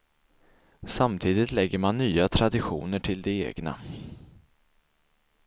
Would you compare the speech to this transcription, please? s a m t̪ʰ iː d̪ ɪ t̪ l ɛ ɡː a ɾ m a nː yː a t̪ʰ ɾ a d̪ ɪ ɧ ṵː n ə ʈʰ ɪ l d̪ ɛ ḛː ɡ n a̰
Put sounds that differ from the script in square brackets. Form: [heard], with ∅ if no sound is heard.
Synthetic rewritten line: s a m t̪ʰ iː d̪ ɪ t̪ l ɛ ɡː [ə] ɾ m a nː yː a t̪ʰ ɾ a d̪ ɪ ɧ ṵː n ə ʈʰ ɪ l d̪ ɛ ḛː ɡ n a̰